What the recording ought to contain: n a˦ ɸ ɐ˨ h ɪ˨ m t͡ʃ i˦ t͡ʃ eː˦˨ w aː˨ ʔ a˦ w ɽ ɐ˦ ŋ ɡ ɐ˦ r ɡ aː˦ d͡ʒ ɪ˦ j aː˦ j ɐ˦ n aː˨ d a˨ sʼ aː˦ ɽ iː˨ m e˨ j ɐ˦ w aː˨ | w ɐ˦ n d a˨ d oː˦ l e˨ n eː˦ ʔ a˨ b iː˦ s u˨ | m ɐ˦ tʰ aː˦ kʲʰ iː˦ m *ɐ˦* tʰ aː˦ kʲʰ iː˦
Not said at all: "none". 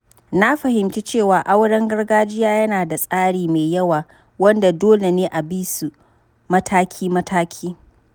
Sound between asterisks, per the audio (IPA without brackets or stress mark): ɐ˦